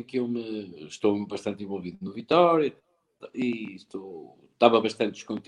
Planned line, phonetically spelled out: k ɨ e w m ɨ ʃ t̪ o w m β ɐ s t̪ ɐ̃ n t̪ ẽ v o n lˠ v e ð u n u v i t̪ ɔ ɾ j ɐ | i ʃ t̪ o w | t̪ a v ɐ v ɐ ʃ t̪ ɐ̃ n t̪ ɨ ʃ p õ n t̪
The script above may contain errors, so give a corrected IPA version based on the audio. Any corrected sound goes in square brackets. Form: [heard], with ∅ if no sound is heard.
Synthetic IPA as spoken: k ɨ e w m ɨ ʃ t̪ o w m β ɐ [ʃ] t̪ ɐ̃ n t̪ ẽ v o [∅] lˠ v [i] ð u n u v i t̪ ɔ ɾ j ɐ | i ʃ t̪ o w | t̪ a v ɐ [β] ɐ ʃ t̪ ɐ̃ n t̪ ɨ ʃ [k] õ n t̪